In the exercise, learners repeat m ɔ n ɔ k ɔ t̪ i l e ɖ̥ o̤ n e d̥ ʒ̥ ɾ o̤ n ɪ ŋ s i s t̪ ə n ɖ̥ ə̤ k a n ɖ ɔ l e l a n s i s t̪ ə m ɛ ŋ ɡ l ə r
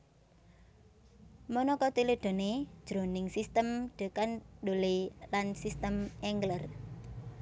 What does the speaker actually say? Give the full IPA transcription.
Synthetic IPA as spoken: m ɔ n ɔ k ɔ t̪ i l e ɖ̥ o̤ n e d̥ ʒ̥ ɾ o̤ n ɪ ŋ s i s t̪ ə m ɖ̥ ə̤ k a n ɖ o l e l a n s i s t̪ ə m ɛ ŋ ɡ l ə r